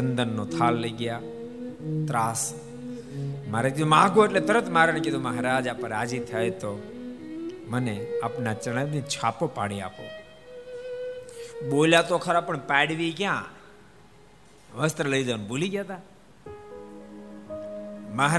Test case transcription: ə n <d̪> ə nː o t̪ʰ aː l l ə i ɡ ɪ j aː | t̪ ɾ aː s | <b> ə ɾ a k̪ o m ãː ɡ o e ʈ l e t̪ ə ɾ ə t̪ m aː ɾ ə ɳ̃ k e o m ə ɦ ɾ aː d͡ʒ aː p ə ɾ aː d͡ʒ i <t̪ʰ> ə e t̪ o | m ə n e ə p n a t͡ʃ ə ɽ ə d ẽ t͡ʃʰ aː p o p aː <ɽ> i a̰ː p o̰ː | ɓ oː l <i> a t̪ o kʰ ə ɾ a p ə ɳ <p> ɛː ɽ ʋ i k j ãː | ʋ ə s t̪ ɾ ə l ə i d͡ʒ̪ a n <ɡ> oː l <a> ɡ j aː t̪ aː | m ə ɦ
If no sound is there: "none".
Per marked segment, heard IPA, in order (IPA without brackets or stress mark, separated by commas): d̪, m, t̪ʰ, ɽ, j, p, b, i